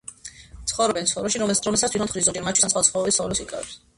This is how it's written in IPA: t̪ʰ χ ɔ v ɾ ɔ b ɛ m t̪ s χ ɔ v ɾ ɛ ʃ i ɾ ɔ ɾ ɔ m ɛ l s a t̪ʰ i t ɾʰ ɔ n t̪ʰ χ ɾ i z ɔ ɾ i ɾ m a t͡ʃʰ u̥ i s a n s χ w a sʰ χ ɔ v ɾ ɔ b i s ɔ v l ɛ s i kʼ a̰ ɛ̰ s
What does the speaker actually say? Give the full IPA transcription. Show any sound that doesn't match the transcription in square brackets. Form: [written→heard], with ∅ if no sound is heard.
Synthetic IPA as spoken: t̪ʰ χ ɔ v ɾ ɔ b ɛ [m→n] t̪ s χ ɔ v ɾ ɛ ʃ i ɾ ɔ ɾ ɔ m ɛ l s a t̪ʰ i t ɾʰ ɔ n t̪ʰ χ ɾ i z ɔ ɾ i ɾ m a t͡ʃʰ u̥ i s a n s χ w a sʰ χ ɔ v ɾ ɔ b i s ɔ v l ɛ s i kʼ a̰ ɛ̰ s